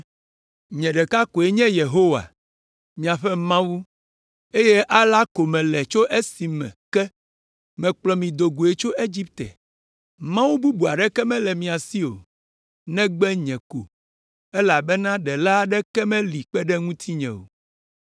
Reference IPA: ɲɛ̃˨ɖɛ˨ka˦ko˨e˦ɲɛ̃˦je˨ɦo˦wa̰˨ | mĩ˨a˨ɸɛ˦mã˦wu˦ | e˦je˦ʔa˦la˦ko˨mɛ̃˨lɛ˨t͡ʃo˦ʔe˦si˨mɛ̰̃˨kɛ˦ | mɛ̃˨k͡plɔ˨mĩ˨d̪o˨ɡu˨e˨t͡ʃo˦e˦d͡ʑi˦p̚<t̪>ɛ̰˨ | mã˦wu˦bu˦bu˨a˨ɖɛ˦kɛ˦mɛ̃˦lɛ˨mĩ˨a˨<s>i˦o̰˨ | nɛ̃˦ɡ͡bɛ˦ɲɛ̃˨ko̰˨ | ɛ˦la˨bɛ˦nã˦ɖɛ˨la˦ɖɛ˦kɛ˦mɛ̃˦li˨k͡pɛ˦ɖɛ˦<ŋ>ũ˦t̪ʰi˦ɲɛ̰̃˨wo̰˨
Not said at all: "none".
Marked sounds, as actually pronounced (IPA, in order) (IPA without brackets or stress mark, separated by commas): t̪, s, ŋ